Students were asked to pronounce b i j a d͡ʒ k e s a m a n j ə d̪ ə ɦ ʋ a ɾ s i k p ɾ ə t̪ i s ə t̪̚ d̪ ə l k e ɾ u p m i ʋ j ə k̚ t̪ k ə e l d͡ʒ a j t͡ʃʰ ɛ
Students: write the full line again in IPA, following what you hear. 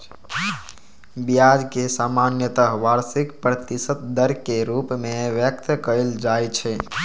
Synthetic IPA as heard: b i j a d͡ʒ k e s a m a n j ə t̪ ə ɦ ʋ a ɾ s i k p ɾ ə t̪ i s ə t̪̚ d̪ ə ɾ k e ɾ u p m e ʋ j ə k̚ t̪ k ə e l d͡ʒ a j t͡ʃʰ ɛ